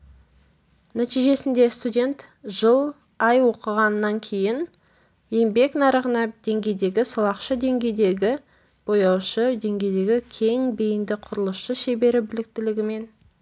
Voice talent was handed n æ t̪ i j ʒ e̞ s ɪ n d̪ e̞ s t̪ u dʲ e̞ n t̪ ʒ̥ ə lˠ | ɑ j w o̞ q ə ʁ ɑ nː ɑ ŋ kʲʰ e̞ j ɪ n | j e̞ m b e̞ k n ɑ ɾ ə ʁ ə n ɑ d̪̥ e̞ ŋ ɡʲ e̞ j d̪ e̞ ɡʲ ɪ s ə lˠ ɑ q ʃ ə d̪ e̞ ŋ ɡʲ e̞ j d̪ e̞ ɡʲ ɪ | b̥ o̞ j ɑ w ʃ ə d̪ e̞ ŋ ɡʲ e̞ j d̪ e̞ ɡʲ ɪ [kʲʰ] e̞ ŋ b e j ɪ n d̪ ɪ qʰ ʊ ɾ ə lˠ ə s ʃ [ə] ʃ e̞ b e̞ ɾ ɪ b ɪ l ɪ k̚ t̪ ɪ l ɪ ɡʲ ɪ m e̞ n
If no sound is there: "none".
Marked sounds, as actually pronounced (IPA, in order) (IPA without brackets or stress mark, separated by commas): kʲʰ, ə